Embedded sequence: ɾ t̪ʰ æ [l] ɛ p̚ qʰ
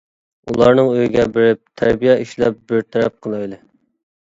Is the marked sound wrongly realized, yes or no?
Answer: yes